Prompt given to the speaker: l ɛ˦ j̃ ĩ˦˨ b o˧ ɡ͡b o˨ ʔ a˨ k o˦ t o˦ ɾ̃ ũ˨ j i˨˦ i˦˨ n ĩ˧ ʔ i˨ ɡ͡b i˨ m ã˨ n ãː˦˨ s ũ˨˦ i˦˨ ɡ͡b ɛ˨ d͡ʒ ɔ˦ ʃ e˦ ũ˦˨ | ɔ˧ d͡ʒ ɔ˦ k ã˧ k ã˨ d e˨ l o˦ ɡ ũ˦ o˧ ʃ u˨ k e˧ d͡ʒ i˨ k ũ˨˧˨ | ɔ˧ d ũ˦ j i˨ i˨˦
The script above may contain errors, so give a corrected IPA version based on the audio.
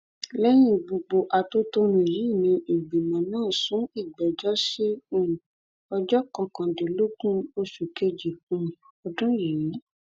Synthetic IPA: l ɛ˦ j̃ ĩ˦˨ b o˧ ɡ͡b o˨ ʔ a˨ t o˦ t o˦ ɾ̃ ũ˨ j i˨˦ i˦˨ n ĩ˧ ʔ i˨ ɡ͡b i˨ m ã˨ n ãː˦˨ s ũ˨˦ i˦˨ ɡ͡b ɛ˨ d͡ʒ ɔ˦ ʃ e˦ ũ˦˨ | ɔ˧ d͡ʒ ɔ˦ k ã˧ k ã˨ d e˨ l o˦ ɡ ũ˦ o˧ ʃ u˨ k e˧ d͡ʒ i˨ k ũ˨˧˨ | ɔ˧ d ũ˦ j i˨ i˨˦